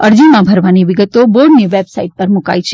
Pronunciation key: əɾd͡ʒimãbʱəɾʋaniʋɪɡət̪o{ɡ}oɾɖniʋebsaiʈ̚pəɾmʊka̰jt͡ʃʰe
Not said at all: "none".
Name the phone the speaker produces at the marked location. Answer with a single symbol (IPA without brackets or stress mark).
b